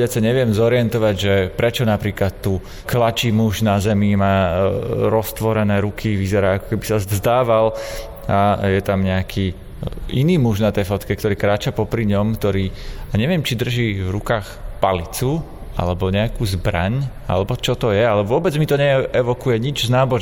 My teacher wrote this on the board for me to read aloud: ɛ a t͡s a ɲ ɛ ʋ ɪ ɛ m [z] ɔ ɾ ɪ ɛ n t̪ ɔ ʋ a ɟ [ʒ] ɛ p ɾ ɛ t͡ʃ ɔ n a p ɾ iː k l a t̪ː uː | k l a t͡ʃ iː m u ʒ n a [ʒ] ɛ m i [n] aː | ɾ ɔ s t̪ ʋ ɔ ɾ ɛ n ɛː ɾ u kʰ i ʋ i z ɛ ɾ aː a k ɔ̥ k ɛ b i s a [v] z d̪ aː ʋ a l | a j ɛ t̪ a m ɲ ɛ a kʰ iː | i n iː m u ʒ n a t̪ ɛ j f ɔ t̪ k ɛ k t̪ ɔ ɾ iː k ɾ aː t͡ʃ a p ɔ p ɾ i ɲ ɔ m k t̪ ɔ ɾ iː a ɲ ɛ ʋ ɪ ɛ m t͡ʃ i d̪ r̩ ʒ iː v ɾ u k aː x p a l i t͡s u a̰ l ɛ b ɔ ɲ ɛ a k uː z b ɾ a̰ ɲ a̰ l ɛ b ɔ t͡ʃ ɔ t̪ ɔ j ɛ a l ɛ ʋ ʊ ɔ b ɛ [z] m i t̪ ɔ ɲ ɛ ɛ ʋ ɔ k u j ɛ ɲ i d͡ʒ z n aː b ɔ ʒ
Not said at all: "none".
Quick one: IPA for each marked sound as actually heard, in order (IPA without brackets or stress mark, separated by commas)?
z, ʒ, z, m, z, d͡z